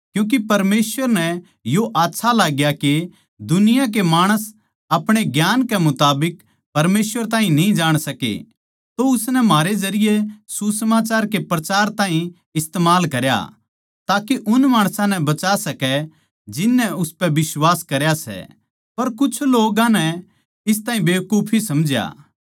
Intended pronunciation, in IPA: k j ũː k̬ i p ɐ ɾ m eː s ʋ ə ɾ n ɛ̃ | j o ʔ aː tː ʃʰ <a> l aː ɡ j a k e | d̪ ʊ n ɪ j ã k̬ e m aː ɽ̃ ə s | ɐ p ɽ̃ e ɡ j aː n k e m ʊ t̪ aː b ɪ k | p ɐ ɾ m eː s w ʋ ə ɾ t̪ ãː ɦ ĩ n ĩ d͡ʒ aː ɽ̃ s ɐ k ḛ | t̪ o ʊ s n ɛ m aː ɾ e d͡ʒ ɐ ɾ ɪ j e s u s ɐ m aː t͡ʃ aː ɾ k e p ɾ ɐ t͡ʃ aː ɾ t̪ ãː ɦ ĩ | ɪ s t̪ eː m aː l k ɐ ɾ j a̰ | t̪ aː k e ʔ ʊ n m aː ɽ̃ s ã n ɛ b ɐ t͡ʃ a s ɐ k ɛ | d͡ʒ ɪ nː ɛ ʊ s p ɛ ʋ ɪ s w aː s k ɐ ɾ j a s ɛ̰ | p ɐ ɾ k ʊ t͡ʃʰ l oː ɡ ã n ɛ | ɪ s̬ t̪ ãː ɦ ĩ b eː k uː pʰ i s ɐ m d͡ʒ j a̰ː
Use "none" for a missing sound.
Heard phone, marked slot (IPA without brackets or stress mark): a